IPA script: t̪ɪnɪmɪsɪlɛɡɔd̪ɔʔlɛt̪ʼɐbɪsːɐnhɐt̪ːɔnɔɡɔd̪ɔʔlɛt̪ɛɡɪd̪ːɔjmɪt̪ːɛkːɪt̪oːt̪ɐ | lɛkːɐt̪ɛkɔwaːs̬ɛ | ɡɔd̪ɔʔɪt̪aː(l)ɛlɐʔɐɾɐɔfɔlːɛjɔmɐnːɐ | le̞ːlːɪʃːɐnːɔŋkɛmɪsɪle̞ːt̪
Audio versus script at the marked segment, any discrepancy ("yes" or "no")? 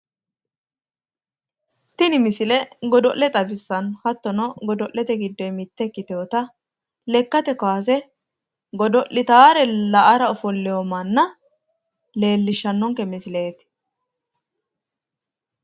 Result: yes